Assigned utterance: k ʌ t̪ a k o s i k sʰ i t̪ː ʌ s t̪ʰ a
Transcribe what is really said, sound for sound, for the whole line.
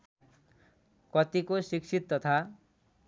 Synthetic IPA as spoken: k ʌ t̪ i k o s i k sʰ i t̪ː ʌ t̪ʰ a